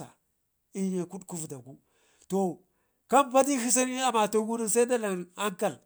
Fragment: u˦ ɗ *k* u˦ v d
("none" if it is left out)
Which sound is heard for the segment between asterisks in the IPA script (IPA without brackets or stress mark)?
k